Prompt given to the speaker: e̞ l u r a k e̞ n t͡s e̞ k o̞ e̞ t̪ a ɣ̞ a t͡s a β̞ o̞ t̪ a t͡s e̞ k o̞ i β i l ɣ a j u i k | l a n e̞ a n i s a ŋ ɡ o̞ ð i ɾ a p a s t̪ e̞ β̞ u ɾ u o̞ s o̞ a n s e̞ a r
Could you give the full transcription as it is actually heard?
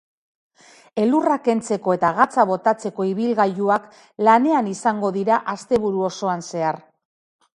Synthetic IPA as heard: e̞ l u r a k e̞ n t͡s e̞ k o̞ e̞ t̪ a ɣ̞ a t͡s a β̞ o̞ t̪ a t͡s e̞ k o̞ i β i l ɣ a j u a k | l a n e̞ a n i s a ŋ ɡ o̞ ð i ɾ a ʔ a s t̪ e̞ β̞ u ɾ u o̞ s o̞ a n s e̞ a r